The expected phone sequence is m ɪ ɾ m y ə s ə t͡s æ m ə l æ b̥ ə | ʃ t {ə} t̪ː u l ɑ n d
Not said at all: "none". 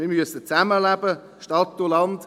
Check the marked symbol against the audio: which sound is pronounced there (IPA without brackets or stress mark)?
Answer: ɑ